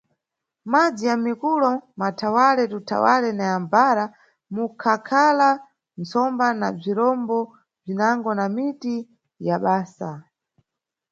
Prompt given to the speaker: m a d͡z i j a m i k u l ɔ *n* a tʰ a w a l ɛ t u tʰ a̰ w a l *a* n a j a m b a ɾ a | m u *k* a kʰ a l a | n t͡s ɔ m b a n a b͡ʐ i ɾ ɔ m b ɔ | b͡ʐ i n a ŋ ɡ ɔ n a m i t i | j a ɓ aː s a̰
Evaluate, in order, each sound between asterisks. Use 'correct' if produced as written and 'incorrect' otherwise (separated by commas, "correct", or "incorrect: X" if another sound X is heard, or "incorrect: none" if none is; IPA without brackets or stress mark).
incorrect: m, incorrect: ɛ, incorrect: kʰ